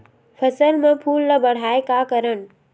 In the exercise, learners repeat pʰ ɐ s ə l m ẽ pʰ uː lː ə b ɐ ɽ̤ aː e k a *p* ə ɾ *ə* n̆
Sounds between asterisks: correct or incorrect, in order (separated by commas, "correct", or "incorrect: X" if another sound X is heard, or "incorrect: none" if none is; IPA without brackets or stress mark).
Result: incorrect: k, correct